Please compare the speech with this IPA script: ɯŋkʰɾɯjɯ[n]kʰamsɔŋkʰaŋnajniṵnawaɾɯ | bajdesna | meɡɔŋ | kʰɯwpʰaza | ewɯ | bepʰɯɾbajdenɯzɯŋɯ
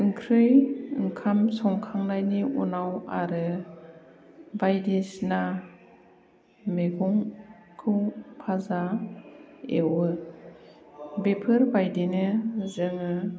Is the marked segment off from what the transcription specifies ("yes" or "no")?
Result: yes